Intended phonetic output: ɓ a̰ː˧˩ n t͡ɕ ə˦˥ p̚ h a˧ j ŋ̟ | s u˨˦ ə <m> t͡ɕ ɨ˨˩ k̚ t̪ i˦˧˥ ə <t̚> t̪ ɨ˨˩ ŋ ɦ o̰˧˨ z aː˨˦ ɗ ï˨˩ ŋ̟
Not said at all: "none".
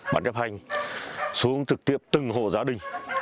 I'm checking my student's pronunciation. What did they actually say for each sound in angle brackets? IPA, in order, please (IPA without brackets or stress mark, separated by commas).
ŋ, p̚